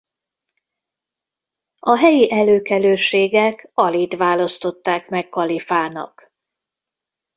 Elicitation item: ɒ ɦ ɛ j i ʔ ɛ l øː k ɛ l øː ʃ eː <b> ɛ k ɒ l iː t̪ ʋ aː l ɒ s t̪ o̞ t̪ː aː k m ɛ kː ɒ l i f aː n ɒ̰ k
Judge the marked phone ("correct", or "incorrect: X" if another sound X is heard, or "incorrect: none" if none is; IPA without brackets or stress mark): incorrect: ɡ